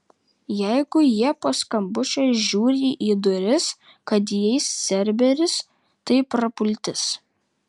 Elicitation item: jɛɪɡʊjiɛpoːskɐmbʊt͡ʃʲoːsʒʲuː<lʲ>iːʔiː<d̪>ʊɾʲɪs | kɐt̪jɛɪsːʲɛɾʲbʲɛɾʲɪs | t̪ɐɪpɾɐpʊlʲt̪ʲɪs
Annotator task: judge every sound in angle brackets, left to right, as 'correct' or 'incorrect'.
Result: incorrect: ɾʲ, correct

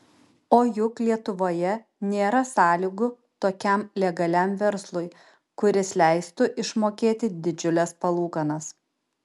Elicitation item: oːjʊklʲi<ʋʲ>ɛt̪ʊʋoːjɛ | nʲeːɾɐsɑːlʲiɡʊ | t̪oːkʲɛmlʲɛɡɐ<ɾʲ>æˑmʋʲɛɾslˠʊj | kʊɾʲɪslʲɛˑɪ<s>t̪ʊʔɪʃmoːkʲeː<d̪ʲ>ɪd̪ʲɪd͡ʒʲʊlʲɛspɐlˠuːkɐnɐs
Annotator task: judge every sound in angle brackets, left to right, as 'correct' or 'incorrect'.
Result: incorrect: none, incorrect: lʲ, correct, incorrect: t̪ʲ

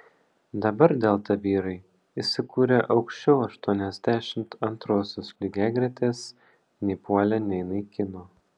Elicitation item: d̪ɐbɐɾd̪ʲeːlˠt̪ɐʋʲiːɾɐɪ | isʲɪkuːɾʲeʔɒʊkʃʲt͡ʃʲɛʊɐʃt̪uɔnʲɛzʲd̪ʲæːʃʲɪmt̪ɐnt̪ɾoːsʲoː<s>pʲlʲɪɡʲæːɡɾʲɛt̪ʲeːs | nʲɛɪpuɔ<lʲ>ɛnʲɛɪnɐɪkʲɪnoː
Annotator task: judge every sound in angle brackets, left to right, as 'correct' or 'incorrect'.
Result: correct, correct

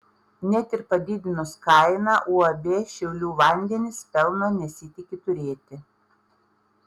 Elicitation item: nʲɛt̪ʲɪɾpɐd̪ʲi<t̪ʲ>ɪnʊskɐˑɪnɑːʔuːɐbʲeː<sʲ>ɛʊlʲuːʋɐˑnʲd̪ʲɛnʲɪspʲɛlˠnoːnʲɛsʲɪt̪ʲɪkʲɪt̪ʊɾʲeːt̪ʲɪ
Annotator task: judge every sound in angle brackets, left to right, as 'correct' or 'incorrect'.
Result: incorrect: d̪ʲ, incorrect: ʃʲ

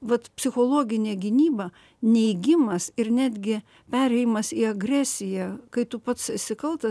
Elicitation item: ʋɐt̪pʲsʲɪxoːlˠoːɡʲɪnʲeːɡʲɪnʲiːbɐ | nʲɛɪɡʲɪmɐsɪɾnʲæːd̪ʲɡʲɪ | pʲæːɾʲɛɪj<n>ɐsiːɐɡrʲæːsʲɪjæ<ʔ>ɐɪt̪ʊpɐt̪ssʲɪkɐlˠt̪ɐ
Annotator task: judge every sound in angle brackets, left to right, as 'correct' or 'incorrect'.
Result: incorrect: m, incorrect: k

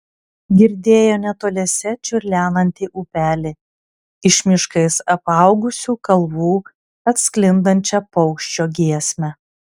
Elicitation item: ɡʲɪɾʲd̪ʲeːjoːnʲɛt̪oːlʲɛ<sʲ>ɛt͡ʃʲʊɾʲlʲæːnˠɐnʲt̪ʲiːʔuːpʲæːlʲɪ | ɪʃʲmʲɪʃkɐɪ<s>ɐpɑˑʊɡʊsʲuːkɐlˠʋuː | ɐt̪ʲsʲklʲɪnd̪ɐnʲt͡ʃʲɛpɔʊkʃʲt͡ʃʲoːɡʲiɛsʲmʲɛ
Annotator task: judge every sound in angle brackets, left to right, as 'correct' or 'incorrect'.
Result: correct, correct

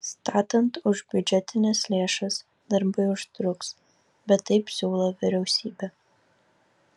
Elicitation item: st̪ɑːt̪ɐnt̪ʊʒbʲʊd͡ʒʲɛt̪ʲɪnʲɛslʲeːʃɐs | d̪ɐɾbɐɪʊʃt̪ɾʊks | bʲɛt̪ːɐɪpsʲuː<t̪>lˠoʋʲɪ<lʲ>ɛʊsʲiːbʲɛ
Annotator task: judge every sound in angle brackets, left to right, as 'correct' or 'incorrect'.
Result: incorrect: none, incorrect: ɾʲ

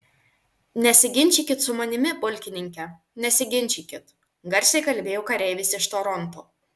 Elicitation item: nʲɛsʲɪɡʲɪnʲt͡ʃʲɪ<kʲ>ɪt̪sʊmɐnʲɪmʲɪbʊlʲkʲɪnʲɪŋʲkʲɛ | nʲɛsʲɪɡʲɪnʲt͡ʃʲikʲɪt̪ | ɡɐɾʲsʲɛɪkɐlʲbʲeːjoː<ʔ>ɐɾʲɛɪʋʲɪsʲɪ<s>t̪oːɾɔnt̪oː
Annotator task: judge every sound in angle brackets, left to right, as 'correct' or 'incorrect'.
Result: correct, incorrect: k, incorrect: ʃ

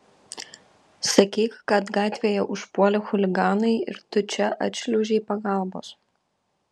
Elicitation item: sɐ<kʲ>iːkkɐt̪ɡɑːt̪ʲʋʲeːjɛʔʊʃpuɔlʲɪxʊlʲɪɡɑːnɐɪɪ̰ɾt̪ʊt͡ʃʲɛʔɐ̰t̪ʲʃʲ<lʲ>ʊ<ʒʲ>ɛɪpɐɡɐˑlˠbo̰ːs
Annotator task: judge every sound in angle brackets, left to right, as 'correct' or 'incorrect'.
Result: correct, correct, correct

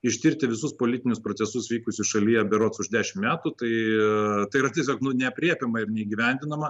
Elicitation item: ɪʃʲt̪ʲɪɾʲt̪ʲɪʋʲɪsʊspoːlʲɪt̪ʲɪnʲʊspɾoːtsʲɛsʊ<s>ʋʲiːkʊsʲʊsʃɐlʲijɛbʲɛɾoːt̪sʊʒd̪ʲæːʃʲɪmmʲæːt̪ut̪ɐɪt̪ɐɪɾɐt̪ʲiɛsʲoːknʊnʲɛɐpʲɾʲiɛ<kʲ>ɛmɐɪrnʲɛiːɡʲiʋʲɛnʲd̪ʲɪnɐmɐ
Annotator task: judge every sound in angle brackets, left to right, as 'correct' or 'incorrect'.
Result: correct, incorrect: pʲ

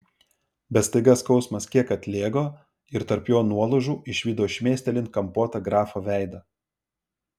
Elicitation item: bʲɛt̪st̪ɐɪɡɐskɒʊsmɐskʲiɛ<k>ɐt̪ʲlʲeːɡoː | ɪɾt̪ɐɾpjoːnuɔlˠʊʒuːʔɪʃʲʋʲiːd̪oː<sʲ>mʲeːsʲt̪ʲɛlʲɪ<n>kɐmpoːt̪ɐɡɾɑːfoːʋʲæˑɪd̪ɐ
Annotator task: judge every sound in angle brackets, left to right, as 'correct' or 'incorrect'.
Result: correct, incorrect: ʃʲ, correct

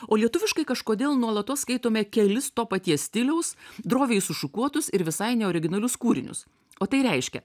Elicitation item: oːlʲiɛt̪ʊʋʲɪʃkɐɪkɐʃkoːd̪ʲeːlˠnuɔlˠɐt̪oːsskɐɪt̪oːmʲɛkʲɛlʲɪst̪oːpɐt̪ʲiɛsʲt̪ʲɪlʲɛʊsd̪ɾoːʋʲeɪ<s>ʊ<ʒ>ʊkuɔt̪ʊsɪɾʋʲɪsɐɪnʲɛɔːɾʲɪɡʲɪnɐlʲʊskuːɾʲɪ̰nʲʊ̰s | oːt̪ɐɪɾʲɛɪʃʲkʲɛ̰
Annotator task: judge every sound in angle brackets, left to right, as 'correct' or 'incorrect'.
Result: correct, incorrect: ʃ

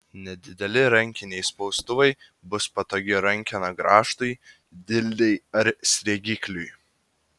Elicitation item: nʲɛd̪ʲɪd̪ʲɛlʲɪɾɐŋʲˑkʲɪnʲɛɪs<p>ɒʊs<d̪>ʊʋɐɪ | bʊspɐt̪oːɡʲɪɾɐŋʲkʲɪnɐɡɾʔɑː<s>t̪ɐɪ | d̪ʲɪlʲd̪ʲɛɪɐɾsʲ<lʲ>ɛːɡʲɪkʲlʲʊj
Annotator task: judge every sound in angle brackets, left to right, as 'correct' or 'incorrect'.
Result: correct, incorrect: t̪, incorrect: ʃ, incorrect: ɾʲ

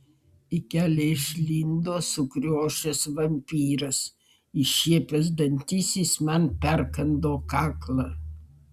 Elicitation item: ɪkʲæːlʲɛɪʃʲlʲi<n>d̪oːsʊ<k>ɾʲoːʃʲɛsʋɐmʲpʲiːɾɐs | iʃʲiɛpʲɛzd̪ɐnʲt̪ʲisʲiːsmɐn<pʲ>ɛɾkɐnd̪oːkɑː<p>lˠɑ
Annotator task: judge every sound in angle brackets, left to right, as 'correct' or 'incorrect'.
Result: correct, correct, correct, incorrect: k

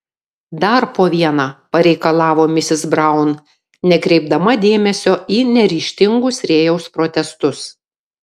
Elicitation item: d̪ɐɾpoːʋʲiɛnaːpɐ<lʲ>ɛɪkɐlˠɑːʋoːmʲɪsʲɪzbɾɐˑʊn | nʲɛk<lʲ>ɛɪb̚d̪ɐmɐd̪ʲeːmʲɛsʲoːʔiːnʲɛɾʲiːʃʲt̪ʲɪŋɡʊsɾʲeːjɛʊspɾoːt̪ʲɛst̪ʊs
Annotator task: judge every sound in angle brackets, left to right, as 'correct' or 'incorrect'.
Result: incorrect: ɾʲ, incorrect: ɾʲ

